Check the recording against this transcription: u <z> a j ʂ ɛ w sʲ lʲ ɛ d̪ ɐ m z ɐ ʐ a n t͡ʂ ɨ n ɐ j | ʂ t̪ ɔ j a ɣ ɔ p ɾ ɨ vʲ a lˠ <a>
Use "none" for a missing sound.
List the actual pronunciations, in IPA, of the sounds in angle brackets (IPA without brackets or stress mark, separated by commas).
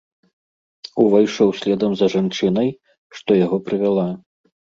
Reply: v, a